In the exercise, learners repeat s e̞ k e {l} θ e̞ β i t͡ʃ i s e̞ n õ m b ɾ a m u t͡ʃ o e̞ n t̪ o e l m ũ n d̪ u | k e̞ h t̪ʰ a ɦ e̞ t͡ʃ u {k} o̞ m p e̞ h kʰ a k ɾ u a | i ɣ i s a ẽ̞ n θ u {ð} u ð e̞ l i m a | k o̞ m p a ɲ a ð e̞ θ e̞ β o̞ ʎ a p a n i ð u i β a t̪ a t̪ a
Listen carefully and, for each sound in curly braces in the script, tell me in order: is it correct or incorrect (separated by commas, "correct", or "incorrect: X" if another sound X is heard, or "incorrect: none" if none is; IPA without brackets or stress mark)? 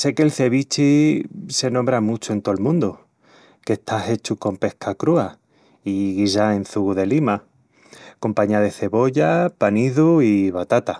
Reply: correct, correct, incorrect: ɣ